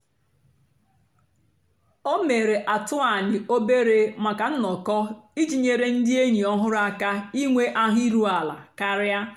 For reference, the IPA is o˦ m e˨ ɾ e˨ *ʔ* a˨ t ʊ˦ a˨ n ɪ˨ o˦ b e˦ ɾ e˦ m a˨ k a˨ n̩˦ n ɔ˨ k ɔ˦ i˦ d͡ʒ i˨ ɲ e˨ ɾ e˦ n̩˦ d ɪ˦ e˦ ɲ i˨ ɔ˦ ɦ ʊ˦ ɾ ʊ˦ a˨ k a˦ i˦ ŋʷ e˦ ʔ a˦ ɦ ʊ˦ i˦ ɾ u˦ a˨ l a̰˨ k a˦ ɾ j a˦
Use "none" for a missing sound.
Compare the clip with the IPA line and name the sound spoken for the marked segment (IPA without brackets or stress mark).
ʔ